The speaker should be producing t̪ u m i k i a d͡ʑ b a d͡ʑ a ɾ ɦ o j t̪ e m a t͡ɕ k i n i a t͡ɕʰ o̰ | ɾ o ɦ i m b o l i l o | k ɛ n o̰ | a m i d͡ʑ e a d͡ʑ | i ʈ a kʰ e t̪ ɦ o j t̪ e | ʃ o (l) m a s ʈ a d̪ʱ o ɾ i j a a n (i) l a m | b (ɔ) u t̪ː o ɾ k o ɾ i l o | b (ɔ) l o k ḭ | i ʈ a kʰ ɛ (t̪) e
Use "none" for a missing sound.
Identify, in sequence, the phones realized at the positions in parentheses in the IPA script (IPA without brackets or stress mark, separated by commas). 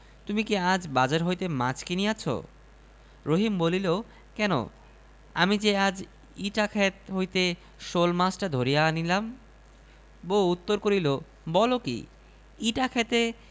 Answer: l, i, o, ɔ, t̪